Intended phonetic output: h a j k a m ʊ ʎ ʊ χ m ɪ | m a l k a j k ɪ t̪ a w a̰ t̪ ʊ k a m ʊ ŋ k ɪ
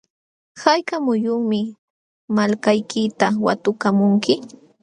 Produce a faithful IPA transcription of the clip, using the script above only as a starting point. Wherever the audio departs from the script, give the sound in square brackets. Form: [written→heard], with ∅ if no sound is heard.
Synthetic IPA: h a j k a m ʊ [ʎ→j] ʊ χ m ɪ | m a l k a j k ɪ t̪ a w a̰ t̪ ʊ k a m ʊ ŋ k ɪ